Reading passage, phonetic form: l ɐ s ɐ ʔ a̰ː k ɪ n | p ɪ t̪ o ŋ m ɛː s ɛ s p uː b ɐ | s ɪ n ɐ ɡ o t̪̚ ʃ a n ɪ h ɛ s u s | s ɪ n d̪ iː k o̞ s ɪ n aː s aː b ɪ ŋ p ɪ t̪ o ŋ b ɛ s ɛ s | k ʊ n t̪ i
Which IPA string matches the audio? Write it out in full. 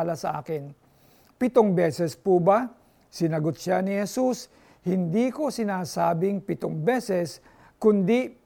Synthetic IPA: l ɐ s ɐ ʔ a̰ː k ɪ n | p ɪ t̪ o ŋ b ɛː s ɛ s p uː b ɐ | s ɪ n ɐ ɡ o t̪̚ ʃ a n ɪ h ɛ s u s | h ɪ n d̪ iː k o̞ s ɪ n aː s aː b ɪ ŋ p ɪ t̪ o ŋ b ɛ s ɛ s | k ʊ n d̪ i